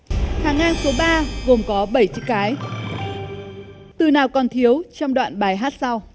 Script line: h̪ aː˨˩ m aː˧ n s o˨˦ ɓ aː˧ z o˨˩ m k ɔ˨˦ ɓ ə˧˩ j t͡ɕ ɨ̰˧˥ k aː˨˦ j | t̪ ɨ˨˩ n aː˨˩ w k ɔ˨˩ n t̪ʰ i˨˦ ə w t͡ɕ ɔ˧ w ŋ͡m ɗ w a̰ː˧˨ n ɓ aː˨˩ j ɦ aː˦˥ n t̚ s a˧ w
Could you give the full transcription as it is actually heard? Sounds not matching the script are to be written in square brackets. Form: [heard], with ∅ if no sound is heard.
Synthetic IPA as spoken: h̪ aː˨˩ [ŋ] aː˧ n s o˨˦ ɓ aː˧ [ɣ] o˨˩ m k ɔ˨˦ ɓ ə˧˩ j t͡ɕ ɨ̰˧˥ k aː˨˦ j | t̪ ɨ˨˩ n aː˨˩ w k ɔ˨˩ n t̪ʰ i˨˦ ə w t͡ɕ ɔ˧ w ŋ͡m ɗ w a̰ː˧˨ n ɓ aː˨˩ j ɦ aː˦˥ [∅] t̚ s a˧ w